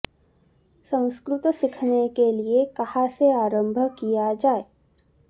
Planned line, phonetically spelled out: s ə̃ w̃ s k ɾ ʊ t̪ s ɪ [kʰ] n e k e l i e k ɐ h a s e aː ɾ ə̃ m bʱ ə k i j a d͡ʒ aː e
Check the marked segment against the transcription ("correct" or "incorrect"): correct